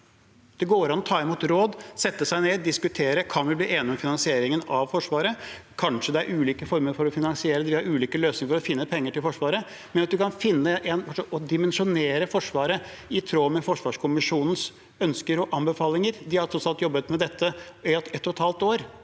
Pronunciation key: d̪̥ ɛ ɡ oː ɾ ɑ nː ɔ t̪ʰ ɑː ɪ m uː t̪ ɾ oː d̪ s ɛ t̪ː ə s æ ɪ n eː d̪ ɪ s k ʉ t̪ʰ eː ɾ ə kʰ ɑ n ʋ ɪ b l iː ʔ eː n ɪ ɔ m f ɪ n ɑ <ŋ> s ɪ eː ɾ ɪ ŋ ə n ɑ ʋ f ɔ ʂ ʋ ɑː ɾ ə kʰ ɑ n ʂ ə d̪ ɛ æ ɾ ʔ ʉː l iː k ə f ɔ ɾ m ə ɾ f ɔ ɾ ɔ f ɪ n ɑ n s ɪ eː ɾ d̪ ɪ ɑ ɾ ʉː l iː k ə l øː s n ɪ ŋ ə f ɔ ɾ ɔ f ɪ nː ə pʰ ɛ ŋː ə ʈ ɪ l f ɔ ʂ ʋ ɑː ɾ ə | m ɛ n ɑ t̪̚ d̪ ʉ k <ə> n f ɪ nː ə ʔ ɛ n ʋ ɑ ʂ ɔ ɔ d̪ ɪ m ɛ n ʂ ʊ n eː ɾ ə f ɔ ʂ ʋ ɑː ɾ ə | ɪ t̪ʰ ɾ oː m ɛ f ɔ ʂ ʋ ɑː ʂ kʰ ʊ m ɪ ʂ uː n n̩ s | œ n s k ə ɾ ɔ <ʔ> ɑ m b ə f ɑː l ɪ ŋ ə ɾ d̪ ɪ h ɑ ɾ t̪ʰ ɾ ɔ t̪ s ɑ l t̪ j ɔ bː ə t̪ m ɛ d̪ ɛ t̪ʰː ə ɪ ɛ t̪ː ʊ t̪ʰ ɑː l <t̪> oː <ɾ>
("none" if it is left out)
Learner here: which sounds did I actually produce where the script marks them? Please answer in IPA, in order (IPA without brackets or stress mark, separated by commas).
n, ɑ, ʔ, t̪, ɾ